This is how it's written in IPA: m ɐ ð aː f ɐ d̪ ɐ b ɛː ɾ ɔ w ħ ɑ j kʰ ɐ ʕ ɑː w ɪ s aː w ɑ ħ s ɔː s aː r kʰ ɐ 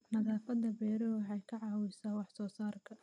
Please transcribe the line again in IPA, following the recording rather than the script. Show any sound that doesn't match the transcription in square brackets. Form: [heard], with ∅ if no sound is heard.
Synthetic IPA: [n] ɐ ð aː f ɐ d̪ ɐ b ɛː ɾ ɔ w ħ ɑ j kʰ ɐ ʕ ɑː w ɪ s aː w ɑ ħ s ɔː s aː r kʰ ɐ